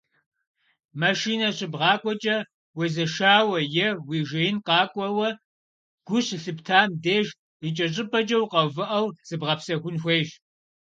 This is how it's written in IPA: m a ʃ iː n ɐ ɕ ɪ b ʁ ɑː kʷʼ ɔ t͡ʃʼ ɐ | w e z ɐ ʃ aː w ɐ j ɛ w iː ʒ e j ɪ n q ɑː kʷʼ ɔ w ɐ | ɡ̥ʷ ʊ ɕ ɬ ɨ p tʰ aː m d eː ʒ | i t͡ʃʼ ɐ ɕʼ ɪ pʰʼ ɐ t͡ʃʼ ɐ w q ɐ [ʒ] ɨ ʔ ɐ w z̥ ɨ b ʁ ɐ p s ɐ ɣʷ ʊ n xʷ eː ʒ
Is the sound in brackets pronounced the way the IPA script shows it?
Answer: no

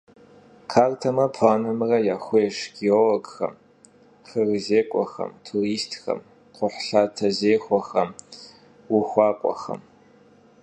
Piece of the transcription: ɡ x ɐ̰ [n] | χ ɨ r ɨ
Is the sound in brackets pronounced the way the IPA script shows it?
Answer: no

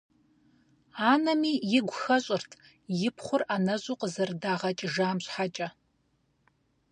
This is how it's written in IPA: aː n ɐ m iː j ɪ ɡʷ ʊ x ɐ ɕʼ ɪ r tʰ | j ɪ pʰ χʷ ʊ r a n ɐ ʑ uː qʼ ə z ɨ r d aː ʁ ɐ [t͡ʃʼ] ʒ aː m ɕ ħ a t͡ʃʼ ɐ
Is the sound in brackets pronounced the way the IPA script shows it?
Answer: yes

